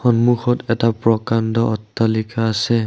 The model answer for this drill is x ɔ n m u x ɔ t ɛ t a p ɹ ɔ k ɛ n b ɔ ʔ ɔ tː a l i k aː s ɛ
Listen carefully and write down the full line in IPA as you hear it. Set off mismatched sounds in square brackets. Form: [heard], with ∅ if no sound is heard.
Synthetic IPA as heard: x ɔ n m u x ɔ t ɛ t a p ɹ ɔ k [a] n [d] ɔ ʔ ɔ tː a l i k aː s ɛ